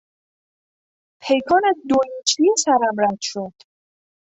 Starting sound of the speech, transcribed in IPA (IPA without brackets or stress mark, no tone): pʰ